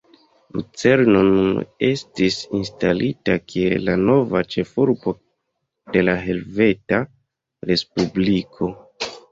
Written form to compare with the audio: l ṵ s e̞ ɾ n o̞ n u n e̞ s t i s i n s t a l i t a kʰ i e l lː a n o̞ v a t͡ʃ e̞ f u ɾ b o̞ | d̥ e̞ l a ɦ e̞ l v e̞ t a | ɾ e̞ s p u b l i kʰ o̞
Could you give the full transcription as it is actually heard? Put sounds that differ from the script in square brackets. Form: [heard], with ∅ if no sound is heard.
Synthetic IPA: l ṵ [t͡s] e̞ ɾ n o̞ n u n e̞ s t i s i n s t a l i t a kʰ i e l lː a n o̞ v a t͡ʃ e̞ f u ɾ b o̞ | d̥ e̞ l a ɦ e̞ l v e̞ t a | ɾ e̞ s p u b l i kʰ o̞